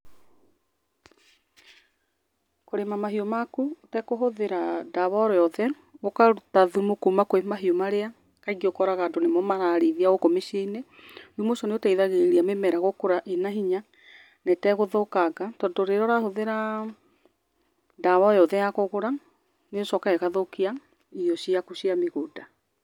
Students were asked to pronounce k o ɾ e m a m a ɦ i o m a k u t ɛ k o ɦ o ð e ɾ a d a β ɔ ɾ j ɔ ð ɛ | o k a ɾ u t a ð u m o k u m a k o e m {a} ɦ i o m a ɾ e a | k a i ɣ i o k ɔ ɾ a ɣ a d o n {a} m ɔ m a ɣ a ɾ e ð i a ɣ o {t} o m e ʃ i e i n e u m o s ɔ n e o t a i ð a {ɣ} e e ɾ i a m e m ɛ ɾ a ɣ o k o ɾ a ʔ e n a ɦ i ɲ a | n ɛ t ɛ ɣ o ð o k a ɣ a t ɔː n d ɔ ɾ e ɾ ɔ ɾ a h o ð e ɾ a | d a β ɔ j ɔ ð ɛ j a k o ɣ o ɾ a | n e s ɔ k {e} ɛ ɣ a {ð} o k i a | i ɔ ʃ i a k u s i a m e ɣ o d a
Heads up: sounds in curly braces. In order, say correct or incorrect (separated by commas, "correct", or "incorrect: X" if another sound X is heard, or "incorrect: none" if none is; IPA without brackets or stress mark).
correct, incorrect: e, incorrect: k, correct, incorrect: a, correct